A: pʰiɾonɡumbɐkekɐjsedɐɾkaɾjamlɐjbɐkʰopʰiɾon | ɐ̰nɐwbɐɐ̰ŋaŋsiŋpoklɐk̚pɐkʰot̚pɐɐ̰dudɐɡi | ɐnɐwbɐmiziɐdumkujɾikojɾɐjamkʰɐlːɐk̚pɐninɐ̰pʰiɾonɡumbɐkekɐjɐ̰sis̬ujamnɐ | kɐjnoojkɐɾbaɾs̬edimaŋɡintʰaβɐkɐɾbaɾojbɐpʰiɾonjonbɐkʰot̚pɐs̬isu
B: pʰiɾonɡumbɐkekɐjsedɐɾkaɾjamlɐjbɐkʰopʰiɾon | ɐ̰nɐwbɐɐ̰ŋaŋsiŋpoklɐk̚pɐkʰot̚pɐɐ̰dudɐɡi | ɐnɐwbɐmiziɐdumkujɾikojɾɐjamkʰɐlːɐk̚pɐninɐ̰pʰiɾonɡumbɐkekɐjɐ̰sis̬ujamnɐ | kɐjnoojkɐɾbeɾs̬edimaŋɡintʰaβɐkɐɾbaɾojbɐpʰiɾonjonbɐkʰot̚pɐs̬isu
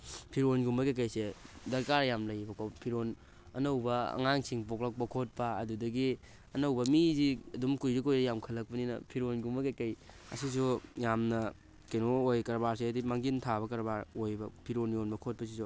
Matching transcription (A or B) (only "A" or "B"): A